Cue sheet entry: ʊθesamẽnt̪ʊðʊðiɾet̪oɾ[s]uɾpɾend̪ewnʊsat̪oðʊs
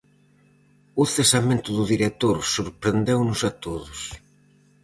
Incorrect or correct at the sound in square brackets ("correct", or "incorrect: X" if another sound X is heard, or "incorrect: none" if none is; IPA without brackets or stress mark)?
correct